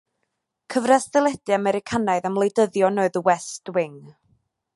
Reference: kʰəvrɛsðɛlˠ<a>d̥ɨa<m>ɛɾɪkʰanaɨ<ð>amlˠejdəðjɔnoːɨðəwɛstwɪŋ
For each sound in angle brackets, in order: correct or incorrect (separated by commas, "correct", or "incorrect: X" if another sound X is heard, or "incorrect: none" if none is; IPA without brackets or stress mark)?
incorrect: ɛ, correct, correct